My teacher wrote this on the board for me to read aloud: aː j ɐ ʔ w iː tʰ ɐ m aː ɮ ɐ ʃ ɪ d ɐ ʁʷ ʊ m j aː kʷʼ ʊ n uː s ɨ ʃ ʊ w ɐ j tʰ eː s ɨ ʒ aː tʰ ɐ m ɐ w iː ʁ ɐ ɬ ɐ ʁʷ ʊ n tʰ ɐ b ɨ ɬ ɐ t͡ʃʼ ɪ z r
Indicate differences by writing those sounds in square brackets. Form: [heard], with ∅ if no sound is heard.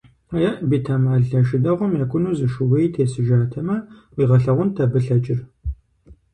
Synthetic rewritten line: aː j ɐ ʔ [b] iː tʰ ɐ m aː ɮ ɐ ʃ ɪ d ɐ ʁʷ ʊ m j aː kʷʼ ʊ n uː [z] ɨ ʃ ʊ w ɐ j tʰ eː s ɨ ʒ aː tʰ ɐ m ɐ w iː ʁ ɐ ɬ ɐ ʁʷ ʊ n tʰ ɐ b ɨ ɬ ɐ t͡ʃʼ ɪ [∅] r